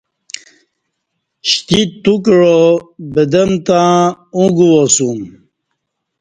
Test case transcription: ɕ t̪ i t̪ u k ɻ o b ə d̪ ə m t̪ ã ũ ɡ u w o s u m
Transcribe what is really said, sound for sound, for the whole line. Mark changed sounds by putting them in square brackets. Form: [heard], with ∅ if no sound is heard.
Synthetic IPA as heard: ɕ t̪ i t̪ u k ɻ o b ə d̪ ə m t̪ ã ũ ɡ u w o s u m